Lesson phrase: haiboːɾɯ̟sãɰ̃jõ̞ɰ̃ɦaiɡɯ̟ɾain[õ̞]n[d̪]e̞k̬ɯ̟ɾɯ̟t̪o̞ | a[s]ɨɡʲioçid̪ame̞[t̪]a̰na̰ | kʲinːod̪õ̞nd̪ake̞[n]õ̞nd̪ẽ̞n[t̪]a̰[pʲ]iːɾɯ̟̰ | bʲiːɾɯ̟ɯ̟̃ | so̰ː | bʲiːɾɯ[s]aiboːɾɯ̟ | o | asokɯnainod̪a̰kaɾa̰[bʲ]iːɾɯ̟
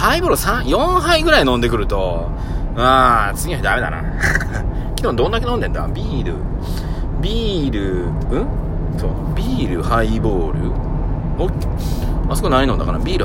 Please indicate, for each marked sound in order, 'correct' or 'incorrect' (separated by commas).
correct, correct, incorrect, incorrect, correct, incorrect, incorrect, incorrect, correct